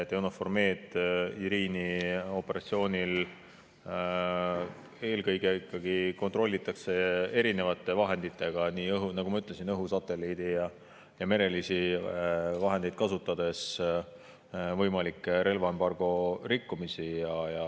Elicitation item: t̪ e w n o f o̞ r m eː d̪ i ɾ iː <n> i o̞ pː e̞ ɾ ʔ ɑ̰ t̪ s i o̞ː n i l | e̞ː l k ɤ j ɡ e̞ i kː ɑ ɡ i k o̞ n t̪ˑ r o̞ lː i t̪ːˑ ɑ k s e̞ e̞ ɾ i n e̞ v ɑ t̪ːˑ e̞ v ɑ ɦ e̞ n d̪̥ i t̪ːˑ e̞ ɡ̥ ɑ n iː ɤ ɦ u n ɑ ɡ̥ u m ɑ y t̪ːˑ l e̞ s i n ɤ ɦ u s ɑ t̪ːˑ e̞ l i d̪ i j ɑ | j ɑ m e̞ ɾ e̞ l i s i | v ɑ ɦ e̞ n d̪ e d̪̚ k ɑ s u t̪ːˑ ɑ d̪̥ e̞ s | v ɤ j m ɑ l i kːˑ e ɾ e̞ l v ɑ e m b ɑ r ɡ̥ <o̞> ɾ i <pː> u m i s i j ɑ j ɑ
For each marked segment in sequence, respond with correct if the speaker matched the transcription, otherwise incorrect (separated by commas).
correct, correct, incorrect